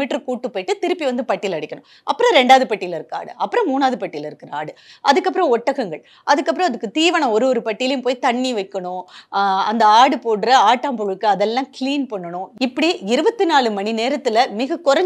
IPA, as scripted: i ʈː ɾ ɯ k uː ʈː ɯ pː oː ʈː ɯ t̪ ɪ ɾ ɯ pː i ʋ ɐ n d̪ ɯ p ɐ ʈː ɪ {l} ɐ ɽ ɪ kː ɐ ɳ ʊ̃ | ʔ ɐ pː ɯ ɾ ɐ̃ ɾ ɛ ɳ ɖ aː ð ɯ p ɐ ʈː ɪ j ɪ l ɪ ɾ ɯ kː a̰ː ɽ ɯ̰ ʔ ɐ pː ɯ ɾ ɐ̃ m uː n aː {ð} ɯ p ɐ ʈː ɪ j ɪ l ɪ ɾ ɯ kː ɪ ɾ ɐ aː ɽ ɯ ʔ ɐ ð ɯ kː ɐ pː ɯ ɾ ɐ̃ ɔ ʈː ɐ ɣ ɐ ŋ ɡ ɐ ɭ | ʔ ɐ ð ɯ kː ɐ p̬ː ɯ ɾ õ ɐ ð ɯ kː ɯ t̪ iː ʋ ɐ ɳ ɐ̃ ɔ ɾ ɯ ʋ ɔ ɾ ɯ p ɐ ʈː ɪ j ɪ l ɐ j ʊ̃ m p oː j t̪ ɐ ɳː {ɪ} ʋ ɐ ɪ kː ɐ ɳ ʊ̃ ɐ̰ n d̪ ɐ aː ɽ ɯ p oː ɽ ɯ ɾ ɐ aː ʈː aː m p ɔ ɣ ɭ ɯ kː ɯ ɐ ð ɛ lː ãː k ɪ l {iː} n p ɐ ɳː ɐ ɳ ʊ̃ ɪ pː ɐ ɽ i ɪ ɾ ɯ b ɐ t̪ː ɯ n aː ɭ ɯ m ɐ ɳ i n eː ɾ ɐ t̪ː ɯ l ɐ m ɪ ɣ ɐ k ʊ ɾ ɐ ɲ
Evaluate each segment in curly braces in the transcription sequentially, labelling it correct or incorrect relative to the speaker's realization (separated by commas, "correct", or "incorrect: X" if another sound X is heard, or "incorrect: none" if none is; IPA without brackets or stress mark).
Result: correct, correct, incorrect: i, correct